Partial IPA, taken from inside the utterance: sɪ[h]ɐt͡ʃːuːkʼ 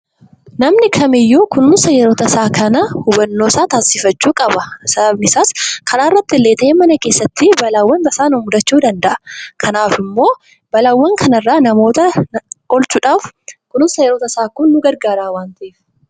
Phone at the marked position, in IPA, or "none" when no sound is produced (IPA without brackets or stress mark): f